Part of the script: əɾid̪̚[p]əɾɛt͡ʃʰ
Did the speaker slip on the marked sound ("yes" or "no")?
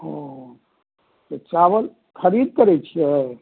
yes